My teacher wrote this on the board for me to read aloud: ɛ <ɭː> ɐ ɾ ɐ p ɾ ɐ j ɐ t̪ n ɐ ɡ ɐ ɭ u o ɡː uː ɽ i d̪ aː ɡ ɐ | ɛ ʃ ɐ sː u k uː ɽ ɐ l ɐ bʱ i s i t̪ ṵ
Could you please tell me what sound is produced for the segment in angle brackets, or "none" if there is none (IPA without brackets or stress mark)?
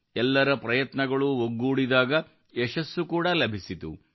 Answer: lː